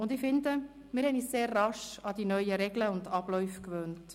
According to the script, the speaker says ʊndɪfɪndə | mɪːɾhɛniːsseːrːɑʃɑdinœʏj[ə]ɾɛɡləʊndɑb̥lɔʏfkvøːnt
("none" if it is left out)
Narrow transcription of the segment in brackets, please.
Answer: ə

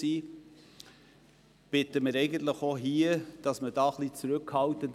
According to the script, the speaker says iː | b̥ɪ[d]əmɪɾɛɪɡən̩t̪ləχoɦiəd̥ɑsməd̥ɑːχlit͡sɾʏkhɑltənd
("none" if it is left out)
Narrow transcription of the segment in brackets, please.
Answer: t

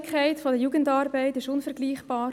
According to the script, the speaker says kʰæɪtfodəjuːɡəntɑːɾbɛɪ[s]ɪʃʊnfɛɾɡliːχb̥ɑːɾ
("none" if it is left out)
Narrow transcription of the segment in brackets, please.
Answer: t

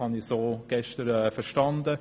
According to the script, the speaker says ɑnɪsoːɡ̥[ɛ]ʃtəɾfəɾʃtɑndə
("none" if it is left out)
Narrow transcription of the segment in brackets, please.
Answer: ɛ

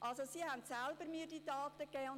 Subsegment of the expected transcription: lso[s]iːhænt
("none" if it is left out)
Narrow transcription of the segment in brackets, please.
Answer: s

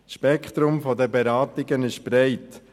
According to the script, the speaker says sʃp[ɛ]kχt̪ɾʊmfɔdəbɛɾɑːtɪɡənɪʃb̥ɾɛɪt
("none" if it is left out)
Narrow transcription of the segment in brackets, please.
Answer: ɛ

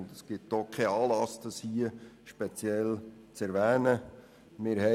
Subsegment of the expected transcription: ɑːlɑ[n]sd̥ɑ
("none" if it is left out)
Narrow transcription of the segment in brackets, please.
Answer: none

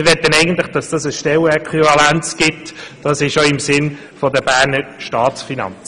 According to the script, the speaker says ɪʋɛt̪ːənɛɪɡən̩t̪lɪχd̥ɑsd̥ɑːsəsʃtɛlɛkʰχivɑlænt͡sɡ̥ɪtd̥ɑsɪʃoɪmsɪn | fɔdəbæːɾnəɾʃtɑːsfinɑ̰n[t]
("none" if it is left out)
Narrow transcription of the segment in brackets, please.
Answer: t͡s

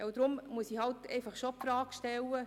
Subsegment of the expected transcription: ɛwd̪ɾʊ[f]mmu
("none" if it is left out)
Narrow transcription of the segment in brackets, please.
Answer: none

